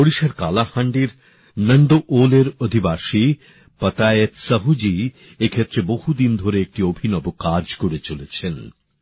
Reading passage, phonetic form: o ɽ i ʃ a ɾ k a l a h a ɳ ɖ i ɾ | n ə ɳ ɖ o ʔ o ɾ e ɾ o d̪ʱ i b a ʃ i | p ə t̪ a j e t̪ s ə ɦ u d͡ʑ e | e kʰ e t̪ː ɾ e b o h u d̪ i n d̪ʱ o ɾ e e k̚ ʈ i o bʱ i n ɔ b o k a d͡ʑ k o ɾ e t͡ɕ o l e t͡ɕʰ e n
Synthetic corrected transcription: o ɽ i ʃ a ɾ k a l a h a ɳ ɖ i ɾ | n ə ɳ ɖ o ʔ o l e ɾ o d̪ʱ i b a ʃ i | p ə t̪ a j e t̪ s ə ɦ u d͡ʑ i | e kʰ e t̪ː ɾ e b o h u d̪ i n d̪ʱ o ɾ e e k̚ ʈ i o bʱ i n ɔ b o k a d͡ʑ k o ɾ e t͡ɕ o l e t͡ɕʰ e n